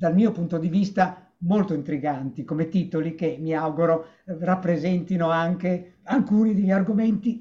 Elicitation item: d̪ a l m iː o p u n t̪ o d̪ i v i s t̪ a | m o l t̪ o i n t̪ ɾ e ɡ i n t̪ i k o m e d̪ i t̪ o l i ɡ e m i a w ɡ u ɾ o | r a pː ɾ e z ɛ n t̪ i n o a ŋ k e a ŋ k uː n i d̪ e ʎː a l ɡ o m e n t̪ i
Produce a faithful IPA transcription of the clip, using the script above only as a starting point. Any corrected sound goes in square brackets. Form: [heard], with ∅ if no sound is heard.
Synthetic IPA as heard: d̪ a l m iː o p u n t̪ o d̪ i v i s t̪ a | m o l t̪ o i n t̪ ɾ [i] ɡ [a] n t̪ i k o m e [t̪] i t̪ o l i [k] e m i a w ɡ u ɾ o | r a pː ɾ e z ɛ n t̪ i n o a ŋ k e a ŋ k uː n i d̪ e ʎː a [r] ɡ o m e n t̪ i